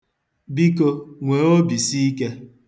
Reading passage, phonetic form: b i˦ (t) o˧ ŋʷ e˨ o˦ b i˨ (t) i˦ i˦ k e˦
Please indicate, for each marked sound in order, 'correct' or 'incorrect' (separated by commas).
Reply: incorrect, incorrect